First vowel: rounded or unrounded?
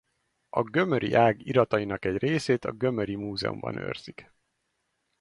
rounded